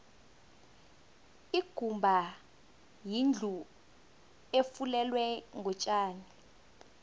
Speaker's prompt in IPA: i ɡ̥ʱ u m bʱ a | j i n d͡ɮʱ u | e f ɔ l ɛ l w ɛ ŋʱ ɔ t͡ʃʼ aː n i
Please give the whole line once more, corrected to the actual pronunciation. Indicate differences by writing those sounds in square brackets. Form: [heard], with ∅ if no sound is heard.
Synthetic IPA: i ɡ̥ʱ u m bʱ a | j i n d͡ɮʱ u | e f [u] l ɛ l w ɛ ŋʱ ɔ t͡ʃʼ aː n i